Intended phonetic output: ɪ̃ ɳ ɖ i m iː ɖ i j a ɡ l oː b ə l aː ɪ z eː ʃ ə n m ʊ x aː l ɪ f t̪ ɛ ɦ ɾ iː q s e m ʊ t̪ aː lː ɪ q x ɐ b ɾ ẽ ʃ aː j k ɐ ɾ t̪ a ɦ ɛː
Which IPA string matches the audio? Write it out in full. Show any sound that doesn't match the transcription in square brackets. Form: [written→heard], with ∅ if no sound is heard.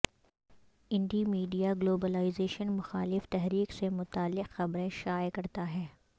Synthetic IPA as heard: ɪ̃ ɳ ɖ i m iː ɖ i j a ɡ l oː b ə l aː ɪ z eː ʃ ə n m ʊ x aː l ɪ f t̪ ɛ ɦ ɾ iː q s e m ʊ t̪ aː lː ɪ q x ɐ b ɾ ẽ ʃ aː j k ɐ ɾ t̪ a ɦ ɛː